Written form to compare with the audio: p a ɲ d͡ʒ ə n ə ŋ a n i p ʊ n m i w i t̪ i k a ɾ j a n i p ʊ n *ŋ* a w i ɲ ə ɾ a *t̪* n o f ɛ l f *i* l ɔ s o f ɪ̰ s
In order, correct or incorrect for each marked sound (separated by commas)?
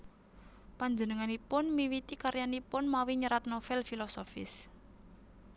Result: incorrect, correct, correct